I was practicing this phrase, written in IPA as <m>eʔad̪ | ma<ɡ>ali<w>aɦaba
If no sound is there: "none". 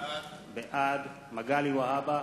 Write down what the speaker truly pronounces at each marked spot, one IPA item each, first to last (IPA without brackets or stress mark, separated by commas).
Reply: b, ɡ, w